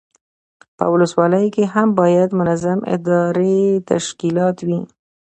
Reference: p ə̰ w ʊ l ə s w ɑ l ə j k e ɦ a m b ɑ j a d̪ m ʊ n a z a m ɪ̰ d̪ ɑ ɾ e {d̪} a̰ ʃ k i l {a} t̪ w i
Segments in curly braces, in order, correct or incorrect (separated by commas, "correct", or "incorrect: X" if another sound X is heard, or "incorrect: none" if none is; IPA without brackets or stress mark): incorrect: t̪, incorrect: ɑ